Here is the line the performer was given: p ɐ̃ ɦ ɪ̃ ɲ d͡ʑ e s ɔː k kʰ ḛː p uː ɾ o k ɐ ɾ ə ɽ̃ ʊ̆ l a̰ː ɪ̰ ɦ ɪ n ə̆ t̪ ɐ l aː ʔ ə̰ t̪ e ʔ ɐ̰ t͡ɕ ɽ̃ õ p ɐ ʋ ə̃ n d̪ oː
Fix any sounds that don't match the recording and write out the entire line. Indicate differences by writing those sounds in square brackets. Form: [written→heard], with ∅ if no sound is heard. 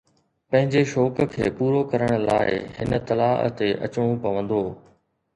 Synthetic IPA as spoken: p ɐ̃ ɦ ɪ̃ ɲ d͡ʑ e [s→ʃ] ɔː k kʰ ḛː p uː ɾ o k ɐ ɾ ə ɽ̃ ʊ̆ l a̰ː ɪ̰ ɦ ɪ n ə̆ t̪ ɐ l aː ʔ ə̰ t̪ e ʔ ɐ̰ t͡ɕ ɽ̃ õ p ɐ ʋ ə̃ n d̪ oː